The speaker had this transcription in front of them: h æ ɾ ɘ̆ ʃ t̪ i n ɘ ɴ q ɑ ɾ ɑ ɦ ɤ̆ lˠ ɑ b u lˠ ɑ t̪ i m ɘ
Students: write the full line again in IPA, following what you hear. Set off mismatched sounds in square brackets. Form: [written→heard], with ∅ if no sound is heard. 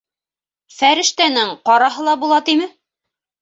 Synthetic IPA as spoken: [h→f] æ ɾ ɘ̆ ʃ t̪ [i→æ] n ɘ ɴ q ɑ ɾ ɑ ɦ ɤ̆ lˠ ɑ b u lˠ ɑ t̪ i m ɘ